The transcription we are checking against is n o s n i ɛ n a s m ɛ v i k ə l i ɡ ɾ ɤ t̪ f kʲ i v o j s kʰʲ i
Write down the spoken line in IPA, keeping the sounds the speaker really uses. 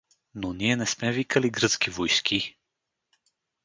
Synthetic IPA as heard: n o n i ɛ n ɛ s m ɛ v i k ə l i ɡ ɾ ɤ t̪ s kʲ i v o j s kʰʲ i

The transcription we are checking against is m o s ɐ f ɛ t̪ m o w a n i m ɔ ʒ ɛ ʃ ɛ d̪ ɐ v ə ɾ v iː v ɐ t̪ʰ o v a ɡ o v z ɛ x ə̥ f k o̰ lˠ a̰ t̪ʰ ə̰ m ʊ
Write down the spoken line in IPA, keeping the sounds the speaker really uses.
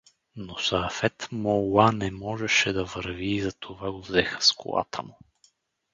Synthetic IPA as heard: n o s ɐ f ɛ t̪ m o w a n ɛ m ɔ ʒ ɛ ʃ ɛ d̪ ɐ v ə ɾ v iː z ɐ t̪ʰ o v a ɡ o v z ɛ x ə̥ s k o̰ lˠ a̰ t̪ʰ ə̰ m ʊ

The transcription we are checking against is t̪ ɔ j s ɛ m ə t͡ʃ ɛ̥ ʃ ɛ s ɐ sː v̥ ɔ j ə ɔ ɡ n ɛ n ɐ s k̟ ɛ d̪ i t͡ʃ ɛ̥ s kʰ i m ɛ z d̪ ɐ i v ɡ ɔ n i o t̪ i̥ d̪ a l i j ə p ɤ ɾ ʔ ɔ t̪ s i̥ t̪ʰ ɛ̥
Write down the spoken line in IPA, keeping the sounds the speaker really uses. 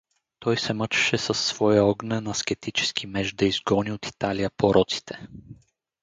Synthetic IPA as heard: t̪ ɔ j s ɛ m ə t͡ʃ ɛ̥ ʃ ɛ s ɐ sː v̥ ɔ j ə ɔ ɡ n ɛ n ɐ s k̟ ɛ t̪ i t͡ʃ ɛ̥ s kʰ i m ɛ ʒ d̪ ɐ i z ɡ ɔ n i o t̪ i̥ t̪ a l i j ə p o ɾ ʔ ɔ t̪ s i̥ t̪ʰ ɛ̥

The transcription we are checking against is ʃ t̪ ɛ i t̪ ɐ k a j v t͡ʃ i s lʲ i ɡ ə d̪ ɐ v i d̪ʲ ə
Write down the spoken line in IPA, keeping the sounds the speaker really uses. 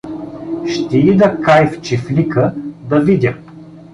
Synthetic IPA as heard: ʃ t̪ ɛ i d̪ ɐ k a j f t͡ʃ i f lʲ i k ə d̪ ɐ v i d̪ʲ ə

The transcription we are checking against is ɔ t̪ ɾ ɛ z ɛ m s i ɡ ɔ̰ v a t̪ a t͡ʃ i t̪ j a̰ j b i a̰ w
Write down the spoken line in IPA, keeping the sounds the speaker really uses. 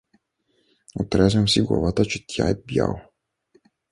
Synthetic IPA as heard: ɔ t̪ ɾ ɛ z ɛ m s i ɡ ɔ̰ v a t̪ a t͡ʃ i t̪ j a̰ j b j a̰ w

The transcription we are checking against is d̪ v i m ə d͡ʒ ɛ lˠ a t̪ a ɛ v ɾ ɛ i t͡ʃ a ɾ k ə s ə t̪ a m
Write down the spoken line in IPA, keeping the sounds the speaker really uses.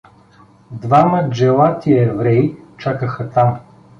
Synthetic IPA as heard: d̪ v a m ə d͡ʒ ɛ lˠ a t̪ i ɛ v ɾ ɛ i t͡ʃ a k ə x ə t̪ a m

